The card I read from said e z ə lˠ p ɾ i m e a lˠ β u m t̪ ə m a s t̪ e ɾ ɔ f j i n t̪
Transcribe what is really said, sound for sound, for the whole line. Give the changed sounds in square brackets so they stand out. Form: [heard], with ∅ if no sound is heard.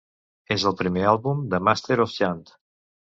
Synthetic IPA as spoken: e z ə lˠ p ɾ i m e a lˠ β u m [d̪] ə m a s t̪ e ɾ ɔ f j [a] n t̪